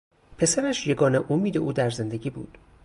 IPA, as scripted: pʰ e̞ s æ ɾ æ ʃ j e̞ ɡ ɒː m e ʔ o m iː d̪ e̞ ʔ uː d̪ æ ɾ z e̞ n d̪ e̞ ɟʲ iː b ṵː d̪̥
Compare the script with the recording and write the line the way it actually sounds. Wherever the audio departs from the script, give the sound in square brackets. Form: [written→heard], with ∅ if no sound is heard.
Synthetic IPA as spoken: pʰ e̞ s æ ɾ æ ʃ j e̞ ɡ ɒː [m→n] e ʔ o m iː d̪ e̞ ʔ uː d̪ æ ɾ z e̞ n d̪ e̞ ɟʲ iː b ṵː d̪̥